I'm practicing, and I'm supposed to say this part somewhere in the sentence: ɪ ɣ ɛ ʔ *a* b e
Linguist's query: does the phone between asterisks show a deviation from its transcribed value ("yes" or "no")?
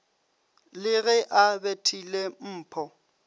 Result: no